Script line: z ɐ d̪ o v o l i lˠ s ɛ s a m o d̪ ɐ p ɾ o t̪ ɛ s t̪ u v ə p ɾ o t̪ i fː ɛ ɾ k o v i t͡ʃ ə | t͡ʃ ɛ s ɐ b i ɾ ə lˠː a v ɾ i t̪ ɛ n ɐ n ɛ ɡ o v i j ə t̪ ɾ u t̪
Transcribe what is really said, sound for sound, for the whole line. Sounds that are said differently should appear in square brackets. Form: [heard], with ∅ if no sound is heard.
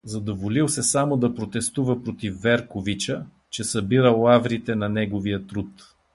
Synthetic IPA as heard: z ɐ d̪ o v o l i lˠ s ɛ s a m o d̪ ɐ p ɾ o t̪ ɛ s t̪ u v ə p ɾ o t̪ i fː ɛ ɾ k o v i t͡ʃ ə | t͡ʃ ɛ s ɐ b i ɾ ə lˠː a v ɾ i t̪ ɛ n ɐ n ɛ ɡ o v i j ə t̪ ɾ u t̪